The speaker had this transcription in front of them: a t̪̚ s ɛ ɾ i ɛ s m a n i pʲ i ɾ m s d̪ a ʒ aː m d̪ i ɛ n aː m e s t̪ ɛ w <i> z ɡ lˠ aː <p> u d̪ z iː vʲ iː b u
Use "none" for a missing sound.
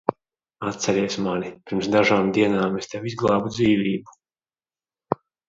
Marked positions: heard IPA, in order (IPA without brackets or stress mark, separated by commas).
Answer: i, b